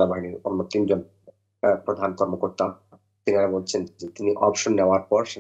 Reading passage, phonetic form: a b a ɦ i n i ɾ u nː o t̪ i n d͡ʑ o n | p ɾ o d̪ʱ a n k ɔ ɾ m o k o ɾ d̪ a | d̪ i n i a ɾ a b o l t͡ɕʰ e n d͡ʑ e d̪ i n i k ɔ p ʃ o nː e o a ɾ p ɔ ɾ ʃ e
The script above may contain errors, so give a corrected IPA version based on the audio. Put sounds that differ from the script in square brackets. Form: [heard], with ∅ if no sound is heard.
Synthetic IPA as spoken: a b a ɦ i n i ɾ [o] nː o t̪ i n d͡ʑ o n | p ɾ o d̪ʱ a n k ɔ ɾ m o k o ɾ [t̪] a | [t̪] i n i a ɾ a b o l t͡ɕʰ e n d͡ʑ e [t̪] i n i [ʔ] ɔ p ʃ o nː e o a ɾ p ɔ ɾ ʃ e